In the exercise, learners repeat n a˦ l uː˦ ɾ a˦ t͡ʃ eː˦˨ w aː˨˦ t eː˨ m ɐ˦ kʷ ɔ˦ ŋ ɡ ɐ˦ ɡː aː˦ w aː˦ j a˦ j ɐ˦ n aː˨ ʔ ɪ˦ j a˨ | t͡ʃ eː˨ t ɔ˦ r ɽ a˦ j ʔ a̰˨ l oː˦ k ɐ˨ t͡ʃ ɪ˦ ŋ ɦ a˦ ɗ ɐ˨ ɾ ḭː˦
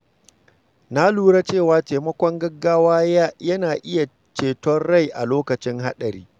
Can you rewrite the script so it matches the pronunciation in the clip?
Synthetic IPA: n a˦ l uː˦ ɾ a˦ t͡ʃ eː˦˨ w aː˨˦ t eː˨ m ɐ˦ kʷ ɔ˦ ŋ ɡ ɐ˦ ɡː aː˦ w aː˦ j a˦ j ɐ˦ n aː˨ ʔ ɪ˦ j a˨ | t͡ʃ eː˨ t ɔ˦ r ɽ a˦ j ʔ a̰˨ l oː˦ k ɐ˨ t͡ʃ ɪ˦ ŋ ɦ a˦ ɗ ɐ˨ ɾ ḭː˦